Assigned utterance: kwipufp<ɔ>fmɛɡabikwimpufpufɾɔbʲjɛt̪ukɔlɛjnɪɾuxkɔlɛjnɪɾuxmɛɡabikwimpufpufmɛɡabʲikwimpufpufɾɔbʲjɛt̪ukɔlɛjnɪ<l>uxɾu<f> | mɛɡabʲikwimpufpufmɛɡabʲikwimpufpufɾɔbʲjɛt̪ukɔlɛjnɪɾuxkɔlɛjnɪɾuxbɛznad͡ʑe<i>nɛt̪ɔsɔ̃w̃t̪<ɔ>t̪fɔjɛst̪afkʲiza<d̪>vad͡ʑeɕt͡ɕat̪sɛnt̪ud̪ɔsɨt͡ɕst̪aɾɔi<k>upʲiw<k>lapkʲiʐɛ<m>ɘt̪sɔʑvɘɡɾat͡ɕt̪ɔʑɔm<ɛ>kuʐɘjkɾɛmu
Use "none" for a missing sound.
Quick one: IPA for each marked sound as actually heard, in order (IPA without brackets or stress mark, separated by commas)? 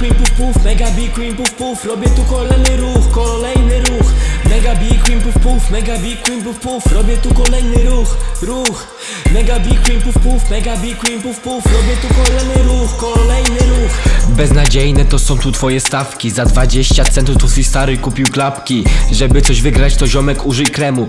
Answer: u, ɾ, x, j, u, d̪, k, k, b, ɛ